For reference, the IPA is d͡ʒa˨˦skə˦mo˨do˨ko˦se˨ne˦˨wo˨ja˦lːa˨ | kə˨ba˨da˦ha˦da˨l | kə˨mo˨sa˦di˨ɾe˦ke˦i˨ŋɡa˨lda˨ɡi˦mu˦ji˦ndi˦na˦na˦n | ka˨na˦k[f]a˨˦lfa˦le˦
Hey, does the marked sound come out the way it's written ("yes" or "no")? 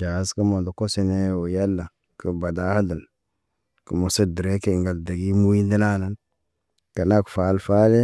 yes